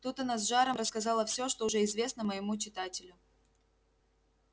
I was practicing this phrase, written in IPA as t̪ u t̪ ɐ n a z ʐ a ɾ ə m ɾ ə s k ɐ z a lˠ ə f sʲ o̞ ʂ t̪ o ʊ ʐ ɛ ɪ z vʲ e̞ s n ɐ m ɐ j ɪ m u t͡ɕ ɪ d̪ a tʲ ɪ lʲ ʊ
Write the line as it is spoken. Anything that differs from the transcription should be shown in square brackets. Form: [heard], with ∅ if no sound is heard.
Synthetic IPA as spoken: t̪ u t̪ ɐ n a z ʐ a ɾ ə m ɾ ə s k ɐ z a lˠ ə f sʲ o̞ ʂ t̪ o ʊ ʐ ɛ ɪ z vʲ e̞ s n [ə] m [ə] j ɪ m u t͡ɕ ɪ [t̪] a tʲ ɪ lʲ ʊ